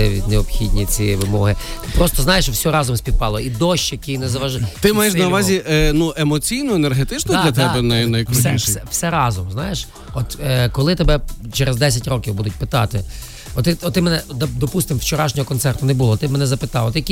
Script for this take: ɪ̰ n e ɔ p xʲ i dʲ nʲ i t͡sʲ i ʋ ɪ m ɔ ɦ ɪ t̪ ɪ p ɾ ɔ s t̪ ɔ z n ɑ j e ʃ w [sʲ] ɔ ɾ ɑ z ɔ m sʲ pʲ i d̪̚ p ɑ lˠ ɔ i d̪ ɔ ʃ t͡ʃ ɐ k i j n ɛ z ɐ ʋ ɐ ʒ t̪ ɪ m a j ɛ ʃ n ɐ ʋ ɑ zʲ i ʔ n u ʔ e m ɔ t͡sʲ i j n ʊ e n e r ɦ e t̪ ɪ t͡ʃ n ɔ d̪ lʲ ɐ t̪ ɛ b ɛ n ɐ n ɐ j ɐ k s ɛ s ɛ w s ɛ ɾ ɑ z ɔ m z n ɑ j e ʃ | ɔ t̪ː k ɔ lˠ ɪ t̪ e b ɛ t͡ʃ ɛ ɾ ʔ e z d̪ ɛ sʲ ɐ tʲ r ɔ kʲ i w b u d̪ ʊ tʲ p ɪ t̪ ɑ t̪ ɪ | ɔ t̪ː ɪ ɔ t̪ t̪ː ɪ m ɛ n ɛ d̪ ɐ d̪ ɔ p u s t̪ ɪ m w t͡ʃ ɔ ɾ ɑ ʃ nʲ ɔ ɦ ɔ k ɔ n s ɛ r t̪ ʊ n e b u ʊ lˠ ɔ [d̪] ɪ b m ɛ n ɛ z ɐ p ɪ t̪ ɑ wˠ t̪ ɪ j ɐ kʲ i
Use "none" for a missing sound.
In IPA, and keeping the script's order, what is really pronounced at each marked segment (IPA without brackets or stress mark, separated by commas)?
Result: sʲ, t̪